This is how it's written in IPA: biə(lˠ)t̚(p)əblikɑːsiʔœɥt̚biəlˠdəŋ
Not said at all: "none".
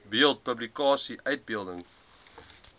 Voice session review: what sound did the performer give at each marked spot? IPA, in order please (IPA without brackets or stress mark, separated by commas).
lˠ, p